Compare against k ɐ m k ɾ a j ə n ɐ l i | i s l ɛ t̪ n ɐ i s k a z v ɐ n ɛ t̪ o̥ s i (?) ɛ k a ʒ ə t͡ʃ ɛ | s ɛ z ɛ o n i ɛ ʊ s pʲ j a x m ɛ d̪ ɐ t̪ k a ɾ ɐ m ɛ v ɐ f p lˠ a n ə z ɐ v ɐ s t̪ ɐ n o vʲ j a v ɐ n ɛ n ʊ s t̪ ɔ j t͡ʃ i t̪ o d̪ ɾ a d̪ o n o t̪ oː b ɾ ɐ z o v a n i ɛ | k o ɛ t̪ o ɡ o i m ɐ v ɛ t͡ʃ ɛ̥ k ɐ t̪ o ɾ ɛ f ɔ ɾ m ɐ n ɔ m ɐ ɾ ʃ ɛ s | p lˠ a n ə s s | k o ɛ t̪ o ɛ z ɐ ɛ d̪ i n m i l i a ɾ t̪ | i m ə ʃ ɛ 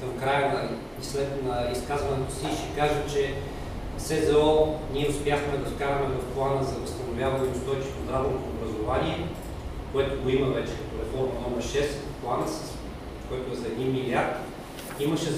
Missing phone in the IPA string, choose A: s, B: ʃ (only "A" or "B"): B